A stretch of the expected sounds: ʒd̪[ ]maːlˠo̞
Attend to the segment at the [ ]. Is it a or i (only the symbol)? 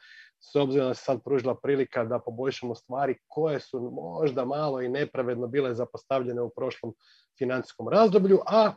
a